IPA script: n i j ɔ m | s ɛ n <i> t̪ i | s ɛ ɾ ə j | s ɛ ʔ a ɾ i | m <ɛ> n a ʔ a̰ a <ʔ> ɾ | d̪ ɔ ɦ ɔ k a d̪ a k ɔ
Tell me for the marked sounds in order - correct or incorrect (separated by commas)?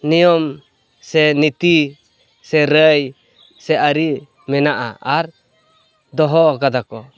correct, correct, incorrect